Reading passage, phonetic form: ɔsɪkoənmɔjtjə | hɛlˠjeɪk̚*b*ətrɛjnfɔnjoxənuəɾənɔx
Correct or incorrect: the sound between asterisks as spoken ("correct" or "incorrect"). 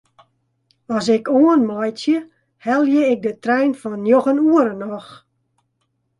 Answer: incorrect